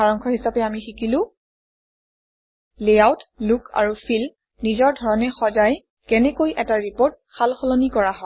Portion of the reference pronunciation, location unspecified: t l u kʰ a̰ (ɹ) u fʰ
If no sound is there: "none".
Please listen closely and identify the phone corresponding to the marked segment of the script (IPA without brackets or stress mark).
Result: ɹ